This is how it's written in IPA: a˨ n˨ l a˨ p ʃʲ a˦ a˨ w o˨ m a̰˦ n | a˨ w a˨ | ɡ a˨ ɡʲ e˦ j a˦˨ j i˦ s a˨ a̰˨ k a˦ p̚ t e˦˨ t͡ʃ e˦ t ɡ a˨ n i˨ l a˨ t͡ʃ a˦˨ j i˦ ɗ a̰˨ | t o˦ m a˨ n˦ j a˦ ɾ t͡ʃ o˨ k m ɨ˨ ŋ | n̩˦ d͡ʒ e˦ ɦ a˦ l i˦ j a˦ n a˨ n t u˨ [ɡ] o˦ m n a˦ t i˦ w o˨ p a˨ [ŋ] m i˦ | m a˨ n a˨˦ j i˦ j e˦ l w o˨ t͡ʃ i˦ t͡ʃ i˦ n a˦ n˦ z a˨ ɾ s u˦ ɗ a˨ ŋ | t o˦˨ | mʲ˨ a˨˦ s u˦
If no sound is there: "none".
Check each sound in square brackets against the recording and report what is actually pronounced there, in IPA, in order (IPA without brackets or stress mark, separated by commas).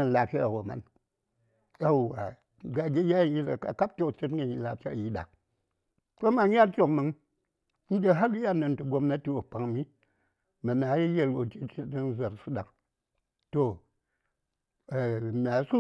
ɡ, ŋ